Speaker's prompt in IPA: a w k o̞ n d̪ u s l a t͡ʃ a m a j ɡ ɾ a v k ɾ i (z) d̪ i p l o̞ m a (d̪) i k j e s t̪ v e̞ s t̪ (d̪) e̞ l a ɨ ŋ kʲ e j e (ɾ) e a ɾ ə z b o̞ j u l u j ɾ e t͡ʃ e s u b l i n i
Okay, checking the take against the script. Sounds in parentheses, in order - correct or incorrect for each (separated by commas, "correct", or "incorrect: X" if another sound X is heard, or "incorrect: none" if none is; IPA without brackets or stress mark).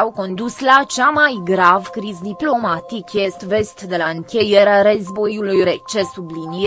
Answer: correct, incorrect: t̪, correct, correct